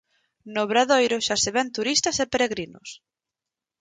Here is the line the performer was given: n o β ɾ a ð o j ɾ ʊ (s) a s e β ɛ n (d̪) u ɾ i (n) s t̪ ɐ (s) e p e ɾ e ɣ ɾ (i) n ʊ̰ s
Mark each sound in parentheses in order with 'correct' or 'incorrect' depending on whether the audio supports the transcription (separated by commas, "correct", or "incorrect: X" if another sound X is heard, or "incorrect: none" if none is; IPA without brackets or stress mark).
incorrect: ʃ, incorrect: t̪, incorrect: none, correct, correct